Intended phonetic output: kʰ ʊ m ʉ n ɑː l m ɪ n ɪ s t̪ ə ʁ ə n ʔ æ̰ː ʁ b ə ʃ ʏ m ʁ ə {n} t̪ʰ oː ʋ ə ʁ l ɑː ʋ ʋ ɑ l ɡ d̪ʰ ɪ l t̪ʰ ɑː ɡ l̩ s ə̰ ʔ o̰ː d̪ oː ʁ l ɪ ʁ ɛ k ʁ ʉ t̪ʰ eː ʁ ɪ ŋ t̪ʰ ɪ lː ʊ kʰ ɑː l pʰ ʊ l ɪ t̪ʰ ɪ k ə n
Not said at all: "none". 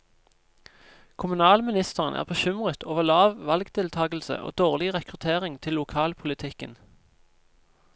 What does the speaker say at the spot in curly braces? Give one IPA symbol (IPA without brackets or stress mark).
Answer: none